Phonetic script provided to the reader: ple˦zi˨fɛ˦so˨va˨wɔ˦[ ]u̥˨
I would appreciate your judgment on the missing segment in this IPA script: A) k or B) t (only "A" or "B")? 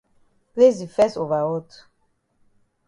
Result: B